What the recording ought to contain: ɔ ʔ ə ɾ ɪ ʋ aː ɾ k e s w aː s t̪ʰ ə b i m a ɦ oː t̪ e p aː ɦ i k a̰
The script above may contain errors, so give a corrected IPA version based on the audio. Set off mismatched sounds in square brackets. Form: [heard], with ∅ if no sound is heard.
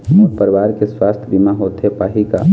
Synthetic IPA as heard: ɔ [p] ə ɾ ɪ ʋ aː ɾ k e s w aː s t̪ʰ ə b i m a ɦ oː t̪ e p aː ɦ i k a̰

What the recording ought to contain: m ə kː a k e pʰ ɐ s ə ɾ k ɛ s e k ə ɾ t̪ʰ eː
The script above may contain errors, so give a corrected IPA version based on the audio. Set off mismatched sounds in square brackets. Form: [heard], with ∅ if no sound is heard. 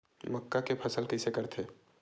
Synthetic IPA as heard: m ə kː a k e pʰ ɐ s ə [l] k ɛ s e k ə ɾ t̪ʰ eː

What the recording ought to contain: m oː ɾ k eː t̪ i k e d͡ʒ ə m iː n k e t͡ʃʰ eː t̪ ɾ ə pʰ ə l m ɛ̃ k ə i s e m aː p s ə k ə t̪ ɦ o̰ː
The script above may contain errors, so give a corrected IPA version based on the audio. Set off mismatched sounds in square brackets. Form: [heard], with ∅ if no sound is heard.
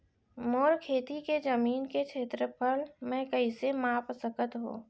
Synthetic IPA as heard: m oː ɾ [kʰ] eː t̪ i k e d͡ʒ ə m iː n k e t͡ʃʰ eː t̪ ɾ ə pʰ ə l m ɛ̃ k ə i s e m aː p s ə k ə t̪ ɦ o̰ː

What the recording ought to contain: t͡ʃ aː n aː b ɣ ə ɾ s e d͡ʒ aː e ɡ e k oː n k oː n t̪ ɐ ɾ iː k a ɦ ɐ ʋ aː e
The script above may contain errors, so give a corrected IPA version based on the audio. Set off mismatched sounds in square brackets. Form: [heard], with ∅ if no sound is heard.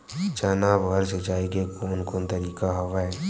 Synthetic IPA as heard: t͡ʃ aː n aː b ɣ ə ɾ s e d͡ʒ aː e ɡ e k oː n k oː n t̪ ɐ ɾ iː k a ɦ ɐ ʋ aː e

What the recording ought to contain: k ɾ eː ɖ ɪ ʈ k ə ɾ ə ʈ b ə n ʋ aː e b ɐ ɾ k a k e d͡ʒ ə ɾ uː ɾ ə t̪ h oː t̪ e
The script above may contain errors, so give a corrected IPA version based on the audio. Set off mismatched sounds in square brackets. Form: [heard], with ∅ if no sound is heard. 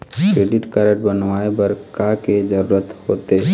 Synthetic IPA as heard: k ɾ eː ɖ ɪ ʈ k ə ɾ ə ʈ b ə n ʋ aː e b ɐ ɾ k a k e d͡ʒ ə ɾ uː ɾ ə t̪ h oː t̪ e

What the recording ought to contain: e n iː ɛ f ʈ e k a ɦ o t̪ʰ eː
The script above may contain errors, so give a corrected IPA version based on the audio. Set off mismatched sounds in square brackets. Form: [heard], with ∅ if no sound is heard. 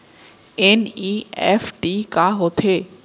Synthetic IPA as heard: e n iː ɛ f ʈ [i] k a ɦ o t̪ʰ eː

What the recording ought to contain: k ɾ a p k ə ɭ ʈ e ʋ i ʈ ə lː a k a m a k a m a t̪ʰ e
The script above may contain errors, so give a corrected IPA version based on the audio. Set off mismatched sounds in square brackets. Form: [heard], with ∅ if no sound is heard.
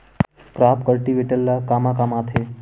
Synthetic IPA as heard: k ɾ a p k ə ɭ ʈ [i] ʋ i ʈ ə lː a k a m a k a m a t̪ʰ e

